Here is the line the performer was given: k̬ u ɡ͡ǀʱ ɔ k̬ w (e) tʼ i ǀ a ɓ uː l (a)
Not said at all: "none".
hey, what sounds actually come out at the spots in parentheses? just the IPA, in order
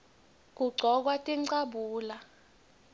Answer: a, a

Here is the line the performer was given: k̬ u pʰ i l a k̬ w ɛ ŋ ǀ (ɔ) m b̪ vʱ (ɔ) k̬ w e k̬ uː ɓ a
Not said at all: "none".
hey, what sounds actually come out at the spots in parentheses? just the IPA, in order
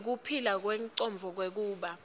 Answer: ɔ, ɔ

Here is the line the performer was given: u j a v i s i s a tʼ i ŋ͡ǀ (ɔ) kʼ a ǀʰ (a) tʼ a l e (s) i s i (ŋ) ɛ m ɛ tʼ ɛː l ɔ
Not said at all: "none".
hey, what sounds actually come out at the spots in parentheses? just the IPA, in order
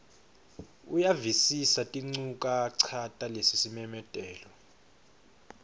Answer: u, a, s, m

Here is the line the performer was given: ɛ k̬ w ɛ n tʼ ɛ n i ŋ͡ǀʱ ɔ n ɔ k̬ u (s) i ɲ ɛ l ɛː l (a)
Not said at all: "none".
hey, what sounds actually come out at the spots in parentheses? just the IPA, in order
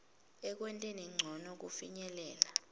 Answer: f, a

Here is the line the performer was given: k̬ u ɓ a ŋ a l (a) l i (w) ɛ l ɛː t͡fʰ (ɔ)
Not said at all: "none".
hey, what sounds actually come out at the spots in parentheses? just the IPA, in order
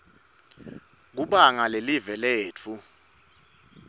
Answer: e, v, u

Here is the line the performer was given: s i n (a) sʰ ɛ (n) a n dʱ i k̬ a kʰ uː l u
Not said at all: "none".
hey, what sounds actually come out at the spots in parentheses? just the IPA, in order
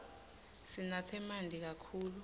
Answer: a, m

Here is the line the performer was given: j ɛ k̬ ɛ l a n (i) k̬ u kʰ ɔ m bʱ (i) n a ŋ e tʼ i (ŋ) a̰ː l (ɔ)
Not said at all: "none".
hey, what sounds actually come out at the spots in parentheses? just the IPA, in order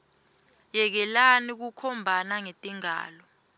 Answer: i, a, ŋ, ɔ

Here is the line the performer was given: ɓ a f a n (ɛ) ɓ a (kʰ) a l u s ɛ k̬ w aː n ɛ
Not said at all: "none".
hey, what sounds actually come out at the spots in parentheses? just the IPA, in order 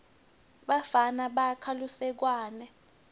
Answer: a, kʰ

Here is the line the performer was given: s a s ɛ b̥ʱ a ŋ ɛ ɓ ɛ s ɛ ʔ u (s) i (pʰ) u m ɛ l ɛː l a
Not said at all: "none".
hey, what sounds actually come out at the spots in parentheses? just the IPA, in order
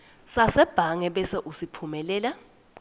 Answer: s, pʰ

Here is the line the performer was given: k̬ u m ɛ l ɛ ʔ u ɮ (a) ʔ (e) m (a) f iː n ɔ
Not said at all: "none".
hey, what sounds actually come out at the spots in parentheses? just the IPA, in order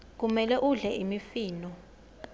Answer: ɛ, i, i

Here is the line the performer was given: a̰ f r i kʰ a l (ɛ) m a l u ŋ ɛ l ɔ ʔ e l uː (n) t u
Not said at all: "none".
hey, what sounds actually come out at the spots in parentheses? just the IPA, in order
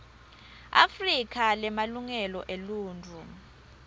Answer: ɛ, n

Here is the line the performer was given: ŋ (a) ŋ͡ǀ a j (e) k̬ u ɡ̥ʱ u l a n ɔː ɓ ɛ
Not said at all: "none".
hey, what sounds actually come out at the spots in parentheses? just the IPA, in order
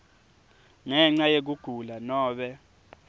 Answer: ɛ, e

